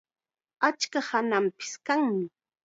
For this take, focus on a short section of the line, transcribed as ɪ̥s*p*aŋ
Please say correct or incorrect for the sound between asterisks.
incorrect